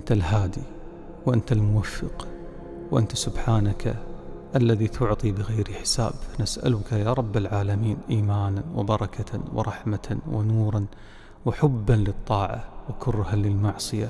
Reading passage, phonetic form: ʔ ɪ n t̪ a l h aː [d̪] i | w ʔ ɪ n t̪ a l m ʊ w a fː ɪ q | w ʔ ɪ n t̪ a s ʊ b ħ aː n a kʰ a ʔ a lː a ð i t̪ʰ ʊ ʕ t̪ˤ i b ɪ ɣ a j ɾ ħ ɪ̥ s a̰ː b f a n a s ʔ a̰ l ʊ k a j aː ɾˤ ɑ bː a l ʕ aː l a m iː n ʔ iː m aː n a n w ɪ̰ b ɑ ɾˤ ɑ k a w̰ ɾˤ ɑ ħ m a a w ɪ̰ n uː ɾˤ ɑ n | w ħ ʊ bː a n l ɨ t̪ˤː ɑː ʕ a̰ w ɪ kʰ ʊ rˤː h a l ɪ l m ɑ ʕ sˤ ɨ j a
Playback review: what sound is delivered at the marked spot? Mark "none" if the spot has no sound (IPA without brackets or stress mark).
d̪